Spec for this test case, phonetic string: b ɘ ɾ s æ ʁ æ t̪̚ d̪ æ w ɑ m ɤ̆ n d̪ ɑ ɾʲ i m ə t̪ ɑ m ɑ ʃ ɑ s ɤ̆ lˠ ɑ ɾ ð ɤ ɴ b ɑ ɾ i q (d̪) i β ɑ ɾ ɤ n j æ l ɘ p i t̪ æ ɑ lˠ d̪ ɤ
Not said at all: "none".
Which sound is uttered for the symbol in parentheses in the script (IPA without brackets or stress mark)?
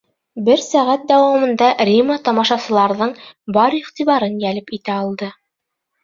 t̪